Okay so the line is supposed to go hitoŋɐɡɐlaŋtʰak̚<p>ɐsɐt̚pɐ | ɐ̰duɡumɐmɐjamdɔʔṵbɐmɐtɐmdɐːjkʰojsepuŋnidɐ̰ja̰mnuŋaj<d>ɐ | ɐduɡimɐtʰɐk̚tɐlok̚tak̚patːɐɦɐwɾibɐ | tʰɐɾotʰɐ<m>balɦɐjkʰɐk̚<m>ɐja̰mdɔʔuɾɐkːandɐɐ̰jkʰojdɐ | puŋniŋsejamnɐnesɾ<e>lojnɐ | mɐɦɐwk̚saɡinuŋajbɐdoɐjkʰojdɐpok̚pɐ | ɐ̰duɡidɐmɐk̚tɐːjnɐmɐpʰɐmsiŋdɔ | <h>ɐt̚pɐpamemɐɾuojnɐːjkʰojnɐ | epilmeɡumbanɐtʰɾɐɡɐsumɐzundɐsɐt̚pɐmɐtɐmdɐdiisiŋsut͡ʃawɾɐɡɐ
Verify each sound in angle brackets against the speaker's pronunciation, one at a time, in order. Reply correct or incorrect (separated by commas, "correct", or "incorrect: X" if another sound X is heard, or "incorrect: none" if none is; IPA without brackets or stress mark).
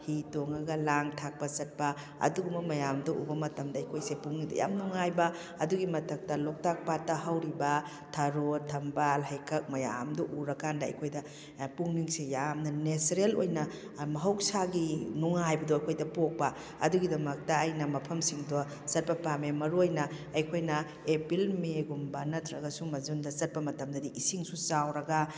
correct, incorrect: b, correct, correct, correct, incorrect: s